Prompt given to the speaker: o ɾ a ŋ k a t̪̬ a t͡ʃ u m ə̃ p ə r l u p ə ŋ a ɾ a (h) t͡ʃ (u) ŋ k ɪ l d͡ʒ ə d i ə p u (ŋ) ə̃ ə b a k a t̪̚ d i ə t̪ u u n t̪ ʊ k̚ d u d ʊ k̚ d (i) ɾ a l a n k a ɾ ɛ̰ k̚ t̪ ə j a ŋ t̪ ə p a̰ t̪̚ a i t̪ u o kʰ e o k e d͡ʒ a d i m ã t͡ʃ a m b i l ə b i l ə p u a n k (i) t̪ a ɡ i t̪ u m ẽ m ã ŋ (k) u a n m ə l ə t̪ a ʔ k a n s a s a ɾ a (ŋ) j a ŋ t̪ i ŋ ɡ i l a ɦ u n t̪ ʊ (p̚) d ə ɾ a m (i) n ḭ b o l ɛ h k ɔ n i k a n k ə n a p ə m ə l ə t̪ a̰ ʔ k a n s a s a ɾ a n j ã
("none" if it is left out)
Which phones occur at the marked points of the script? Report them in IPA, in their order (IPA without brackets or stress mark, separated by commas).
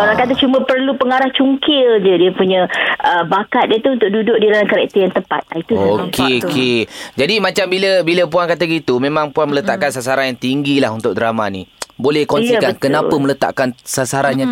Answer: h, u, ɲ, i, a, p, n, k̚, a